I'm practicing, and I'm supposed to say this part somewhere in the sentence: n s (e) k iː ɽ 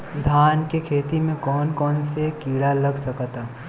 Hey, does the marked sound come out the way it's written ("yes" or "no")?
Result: yes